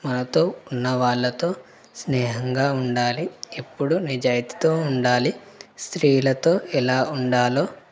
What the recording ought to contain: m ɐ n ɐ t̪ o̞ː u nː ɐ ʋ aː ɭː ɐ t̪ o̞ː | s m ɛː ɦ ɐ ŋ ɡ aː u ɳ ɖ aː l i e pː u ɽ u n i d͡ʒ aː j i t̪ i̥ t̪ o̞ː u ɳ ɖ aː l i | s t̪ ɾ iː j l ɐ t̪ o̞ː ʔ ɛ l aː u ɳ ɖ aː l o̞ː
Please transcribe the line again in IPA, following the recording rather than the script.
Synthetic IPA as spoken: m ɐ n ɐ t̪ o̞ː u nː ɐ ʋ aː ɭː ɐ t̪ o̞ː | s n ɛː ɦ ɐ ŋ ɡ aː u ɳ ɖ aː l i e pː u ɽ u n i d͡ʒ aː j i t̪ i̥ t̪ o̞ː u ɳ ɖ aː l i | s t̪ ɾ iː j l ɐ t̪ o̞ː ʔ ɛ l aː u ɳ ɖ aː l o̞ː